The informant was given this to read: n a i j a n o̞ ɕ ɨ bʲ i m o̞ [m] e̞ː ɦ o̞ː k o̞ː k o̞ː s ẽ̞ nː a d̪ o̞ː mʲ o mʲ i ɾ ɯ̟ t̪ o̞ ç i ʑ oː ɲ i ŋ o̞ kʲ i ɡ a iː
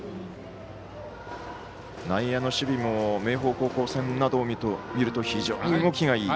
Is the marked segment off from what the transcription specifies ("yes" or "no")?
no